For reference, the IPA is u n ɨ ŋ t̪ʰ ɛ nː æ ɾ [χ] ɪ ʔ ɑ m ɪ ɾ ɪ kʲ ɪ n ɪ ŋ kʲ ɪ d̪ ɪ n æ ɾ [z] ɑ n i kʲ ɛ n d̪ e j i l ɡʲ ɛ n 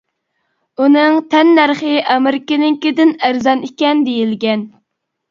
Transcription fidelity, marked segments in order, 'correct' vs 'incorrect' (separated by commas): correct, correct